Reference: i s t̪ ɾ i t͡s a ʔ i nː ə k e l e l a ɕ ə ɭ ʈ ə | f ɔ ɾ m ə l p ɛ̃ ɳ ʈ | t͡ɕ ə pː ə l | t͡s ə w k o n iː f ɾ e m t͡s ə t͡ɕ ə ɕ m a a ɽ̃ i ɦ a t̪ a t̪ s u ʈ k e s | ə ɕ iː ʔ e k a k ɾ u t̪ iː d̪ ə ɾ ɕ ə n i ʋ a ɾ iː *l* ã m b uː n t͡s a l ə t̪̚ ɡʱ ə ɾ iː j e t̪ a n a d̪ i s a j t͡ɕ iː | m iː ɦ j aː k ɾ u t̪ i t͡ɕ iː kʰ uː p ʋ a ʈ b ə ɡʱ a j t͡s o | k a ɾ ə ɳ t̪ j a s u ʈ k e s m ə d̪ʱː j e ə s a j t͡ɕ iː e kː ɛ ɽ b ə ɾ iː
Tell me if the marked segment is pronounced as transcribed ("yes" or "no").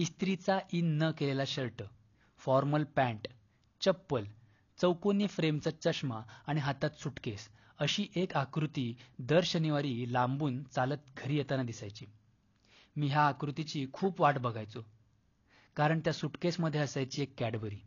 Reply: yes